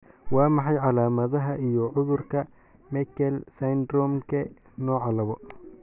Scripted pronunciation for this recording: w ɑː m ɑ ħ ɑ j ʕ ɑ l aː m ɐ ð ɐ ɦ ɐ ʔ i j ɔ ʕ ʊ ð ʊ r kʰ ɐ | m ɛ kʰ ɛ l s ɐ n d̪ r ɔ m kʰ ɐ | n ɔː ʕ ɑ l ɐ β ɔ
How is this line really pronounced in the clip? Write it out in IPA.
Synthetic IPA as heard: w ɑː m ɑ ħ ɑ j ʕ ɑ l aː m ɐ ð ɐ ɦ ɐ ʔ i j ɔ ʕ ʊ ð ʊ r kʰ ɐ | m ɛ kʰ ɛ l s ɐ n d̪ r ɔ m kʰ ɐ | n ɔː ʕ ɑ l ɐ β ɔ